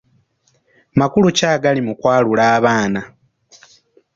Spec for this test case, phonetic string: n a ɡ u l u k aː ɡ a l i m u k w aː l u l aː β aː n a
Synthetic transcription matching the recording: m a k u l u c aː ɡ a l i m u k w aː l u l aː β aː n a

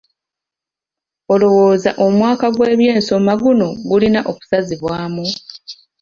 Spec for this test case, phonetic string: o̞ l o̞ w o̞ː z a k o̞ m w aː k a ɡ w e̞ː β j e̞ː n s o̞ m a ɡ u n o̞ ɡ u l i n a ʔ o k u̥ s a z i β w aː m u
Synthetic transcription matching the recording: o̞ l o̞ w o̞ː z a ʔ o̞ m w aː k a ɡ w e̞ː β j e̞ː n s o̞ m a ɡ u n o̞ ɡ u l i n a ʔ o k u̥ s a z i β w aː m u

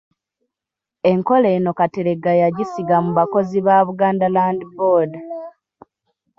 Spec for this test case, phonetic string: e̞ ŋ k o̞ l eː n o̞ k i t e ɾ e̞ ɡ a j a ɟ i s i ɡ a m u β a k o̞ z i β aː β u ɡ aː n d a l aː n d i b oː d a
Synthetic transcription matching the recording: e̞ ŋ k o̞ l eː n o̞ k a t e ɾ e̞ ɡ a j a ɟ i s i ɡ a m u β a k o̞ z i β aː β u ɡ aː n d a l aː n d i b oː d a

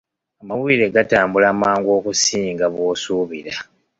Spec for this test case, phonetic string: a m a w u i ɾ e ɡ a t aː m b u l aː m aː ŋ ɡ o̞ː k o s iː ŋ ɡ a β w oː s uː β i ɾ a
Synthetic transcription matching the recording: a m a w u i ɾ e ɡ a t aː m b u l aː m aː ŋ ɡ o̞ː k u s iː ŋ ɡ a β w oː s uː β i ɾ a

